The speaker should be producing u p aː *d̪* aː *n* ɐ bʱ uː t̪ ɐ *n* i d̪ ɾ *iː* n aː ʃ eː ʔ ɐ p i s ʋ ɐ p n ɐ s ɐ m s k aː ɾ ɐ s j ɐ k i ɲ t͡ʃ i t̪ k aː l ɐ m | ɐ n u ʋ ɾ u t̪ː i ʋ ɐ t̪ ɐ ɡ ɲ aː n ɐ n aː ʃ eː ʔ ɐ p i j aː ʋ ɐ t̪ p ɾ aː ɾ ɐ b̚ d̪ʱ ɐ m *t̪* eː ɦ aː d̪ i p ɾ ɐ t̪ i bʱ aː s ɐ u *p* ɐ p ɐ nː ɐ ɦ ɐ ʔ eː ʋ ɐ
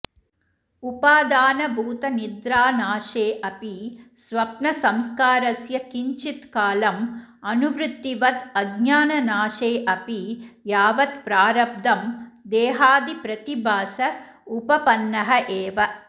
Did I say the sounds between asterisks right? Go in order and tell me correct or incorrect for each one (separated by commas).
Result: correct, correct, correct, incorrect, incorrect, correct